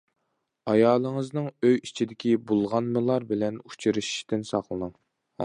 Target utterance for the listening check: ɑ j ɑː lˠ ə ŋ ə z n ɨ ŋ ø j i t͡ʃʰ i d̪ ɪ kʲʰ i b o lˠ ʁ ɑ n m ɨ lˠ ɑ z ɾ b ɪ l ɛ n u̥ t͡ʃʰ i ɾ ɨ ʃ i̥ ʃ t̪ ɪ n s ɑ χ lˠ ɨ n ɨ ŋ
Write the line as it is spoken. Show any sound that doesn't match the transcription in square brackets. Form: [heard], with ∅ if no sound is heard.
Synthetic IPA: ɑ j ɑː lˠ ə ŋ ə z n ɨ ŋ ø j i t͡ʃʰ i d̪ ɪ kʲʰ i b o lˠ ʁ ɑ n m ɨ lˠ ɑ [∅] ɾ b ɪ l ɛ n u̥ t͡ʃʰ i ɾ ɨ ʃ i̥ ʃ t̪ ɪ n s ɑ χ lˠ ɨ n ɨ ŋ